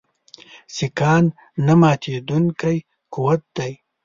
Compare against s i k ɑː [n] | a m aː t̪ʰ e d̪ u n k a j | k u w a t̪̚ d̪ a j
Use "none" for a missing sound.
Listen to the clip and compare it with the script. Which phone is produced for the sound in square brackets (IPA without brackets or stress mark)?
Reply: nː